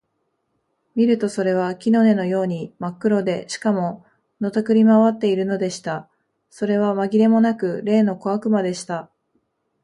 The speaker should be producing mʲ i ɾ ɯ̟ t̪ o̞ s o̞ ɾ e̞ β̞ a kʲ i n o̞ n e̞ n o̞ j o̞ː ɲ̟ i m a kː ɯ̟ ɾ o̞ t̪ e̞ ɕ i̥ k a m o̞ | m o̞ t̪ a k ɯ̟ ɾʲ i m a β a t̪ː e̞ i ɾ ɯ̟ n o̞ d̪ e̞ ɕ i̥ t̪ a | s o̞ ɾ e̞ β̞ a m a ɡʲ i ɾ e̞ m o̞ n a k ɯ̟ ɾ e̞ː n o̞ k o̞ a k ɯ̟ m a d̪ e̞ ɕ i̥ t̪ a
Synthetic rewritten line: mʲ i ɾ ɯ̟ t̪ o̞ s o̞ ɾ e̞ β̞ a kʲ i n o̞ n e̞ n o̞ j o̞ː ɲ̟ i m a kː ɯ̟ ɾ o̞ d̪ e̞ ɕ i̥ k a m o̞ | n o̞ t̪ a k ɯ̟ ɾʲ i m a β a t̪ː e̞ i ɾ ɯ̟ n o̞ d̪ e̞ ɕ i̥ t̪ a | s o̞ ɾ e̞ β̞ a m a ɡʲ i ɾ e̞ m o̞ n a k ɯ̟ ɾ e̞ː n o̞ k o̞ a k ɯ̟ m a d̪ e̞ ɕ i̥ t̪ a